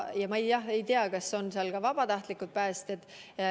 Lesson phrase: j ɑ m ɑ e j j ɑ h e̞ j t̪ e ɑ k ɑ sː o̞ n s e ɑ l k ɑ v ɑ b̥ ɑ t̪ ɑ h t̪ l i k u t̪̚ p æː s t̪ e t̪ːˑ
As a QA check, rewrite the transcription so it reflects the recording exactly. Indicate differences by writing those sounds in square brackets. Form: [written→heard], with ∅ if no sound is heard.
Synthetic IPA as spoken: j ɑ m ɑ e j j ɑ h e̞ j t̪ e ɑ k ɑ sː o̞ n s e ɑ l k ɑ v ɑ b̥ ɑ t̪ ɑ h t̪ l i k u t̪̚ p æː s t̪ e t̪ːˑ